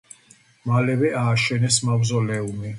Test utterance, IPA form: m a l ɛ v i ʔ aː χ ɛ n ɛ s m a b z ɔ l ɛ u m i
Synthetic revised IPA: m a l ɛ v ɛ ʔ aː ʃ ɛ n ɛ s m a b z ɔ l ɛ u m i